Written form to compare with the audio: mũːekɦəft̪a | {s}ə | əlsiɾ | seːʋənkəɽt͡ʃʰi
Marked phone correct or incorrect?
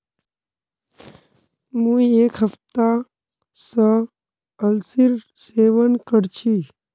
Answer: correct